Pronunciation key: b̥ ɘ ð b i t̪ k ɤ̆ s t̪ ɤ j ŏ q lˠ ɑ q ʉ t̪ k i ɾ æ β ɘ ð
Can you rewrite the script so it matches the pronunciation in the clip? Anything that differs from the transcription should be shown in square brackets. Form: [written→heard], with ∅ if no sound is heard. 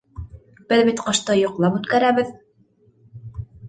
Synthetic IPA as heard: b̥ ɘ ð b i t̪ [k→q] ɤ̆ [s→ʃ] t̪ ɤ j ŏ q lˠ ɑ [q→p] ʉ t̪ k [i→æ] ɾ æ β ɘ ð